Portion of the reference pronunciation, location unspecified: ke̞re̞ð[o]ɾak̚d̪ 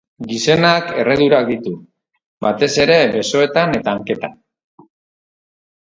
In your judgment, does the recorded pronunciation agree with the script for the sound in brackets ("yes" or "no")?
no